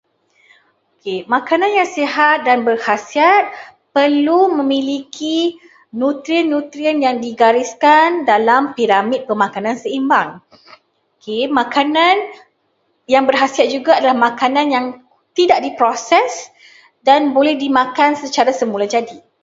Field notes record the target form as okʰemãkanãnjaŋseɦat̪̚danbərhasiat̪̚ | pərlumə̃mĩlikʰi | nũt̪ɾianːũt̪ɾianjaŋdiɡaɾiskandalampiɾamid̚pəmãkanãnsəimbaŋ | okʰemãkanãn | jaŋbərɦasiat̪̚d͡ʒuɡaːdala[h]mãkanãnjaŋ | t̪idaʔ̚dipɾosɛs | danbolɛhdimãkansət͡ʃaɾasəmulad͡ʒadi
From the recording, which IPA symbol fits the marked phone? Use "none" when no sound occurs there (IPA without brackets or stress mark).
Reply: h